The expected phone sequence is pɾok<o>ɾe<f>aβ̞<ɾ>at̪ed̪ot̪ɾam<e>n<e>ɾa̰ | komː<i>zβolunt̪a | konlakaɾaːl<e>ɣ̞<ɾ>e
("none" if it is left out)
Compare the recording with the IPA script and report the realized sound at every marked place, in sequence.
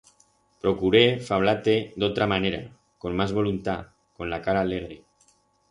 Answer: u, f, l, a, e, a, e, ɾ

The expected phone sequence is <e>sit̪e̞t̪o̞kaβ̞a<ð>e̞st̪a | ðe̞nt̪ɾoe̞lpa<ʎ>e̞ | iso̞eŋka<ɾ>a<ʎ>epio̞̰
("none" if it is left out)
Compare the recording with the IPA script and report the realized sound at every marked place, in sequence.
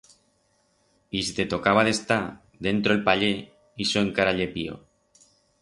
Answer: i, ð, ʎ, ɾ, ʎ

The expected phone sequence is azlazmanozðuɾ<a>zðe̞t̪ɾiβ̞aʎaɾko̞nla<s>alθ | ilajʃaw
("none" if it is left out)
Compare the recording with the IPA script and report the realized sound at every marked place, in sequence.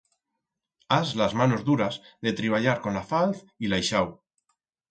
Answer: a, f

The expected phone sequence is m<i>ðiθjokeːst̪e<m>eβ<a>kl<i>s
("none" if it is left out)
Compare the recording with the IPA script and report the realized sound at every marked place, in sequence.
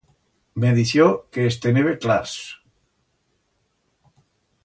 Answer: e, n, e, a

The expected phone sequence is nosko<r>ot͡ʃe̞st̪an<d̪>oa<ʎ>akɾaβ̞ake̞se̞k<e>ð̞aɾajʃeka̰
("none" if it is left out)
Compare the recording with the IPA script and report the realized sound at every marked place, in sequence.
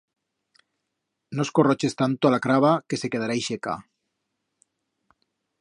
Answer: r, t̪, l, e

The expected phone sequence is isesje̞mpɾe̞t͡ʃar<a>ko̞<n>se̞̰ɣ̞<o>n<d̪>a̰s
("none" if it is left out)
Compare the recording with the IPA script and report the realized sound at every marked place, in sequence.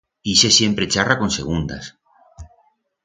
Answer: a, n, u, d̪

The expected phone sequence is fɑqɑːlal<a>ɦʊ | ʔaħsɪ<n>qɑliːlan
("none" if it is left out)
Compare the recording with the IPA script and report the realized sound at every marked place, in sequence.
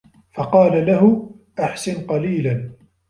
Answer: a, n

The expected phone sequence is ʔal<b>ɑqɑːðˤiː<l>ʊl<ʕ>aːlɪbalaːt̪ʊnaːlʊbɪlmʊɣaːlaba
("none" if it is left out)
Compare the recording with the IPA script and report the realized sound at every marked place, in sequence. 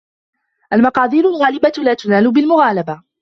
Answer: m, ɾ, ɣ

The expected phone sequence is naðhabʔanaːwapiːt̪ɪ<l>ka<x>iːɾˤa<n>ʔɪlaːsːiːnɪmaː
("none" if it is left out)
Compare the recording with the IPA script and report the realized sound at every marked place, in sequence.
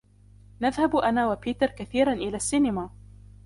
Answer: ɾ, θ, n

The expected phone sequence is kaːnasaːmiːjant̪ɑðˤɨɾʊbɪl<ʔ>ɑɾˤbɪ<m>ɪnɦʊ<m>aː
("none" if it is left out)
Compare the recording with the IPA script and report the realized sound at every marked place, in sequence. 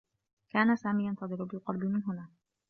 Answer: q, m, n

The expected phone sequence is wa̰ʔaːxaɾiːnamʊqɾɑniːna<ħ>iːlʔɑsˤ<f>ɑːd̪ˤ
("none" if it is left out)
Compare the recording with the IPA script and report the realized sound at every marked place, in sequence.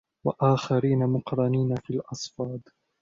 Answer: f, f

